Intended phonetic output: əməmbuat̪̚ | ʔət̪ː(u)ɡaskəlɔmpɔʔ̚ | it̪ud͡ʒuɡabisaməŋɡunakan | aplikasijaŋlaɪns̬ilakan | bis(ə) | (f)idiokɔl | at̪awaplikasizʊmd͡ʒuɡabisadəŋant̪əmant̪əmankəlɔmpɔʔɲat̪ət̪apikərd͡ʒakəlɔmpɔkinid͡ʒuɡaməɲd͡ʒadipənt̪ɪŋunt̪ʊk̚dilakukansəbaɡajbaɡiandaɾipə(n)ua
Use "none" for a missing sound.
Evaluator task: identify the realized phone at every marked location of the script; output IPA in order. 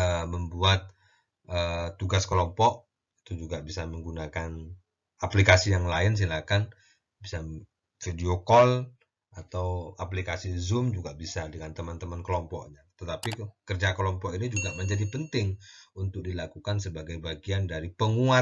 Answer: u, a, f, ŋ

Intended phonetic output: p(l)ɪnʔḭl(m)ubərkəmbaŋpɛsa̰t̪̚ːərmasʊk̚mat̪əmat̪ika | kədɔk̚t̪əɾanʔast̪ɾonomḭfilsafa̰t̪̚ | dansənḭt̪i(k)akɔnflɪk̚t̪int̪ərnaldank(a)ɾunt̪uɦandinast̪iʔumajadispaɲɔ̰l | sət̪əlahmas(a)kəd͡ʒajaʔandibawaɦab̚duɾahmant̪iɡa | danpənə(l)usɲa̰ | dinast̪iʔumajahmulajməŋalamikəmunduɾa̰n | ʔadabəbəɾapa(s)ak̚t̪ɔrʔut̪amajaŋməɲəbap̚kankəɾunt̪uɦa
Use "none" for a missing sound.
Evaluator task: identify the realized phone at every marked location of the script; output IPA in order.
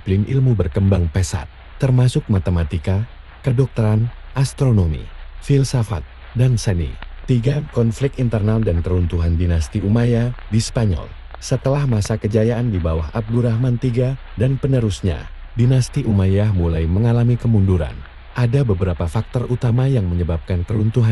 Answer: l, m, ɡ, ə, a, ɾ, f

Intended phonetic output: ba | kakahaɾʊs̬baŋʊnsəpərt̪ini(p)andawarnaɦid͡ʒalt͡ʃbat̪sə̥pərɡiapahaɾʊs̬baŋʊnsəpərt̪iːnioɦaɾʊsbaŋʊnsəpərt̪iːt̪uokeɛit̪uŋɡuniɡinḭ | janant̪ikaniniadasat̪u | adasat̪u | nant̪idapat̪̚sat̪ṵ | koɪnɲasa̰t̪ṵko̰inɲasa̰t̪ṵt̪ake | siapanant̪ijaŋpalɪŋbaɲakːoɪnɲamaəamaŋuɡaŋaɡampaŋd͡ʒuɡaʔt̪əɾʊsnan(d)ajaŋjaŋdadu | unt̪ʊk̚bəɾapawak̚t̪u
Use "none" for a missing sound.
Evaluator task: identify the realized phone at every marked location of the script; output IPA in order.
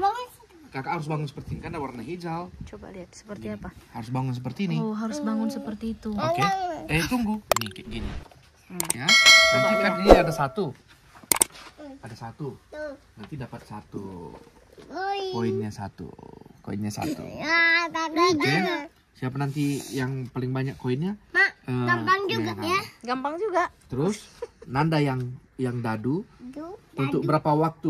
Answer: k, d

